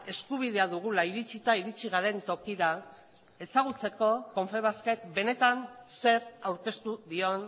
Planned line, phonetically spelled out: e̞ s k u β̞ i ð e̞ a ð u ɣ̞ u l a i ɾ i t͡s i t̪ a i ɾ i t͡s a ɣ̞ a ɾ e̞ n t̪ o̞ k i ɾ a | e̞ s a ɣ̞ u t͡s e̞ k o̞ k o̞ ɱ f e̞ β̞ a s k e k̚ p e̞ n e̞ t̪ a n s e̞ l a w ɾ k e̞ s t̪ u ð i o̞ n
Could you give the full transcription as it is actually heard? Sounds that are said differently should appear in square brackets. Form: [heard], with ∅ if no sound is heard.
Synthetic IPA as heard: e̞ s k u β̞ i ð e̞ a ð u ɣ̞ u l a i ɾ i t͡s i t̪ a i ɾ i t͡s [i] ɣ̞ a ɾ e̞ n t̪ o̞ k i ɾ a | e̞ s a ɣ̞ u t͡s e̞ k o̞ k o̞ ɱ f e̞ β̞ a s k e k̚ [b] e̞ n e̞ t̪ a n s e̞ [ɾ] a w ɾ k e̞ s t̪ u ð i o̞ n